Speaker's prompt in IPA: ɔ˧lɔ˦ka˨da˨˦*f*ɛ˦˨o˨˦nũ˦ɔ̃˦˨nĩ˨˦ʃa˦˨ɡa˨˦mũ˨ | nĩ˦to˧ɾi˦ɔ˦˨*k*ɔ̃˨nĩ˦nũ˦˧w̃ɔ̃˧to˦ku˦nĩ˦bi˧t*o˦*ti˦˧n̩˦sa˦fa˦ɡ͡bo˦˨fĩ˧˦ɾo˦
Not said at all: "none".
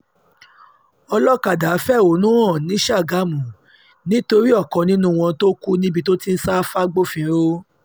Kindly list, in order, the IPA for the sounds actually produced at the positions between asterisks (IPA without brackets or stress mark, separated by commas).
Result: f, k, o˦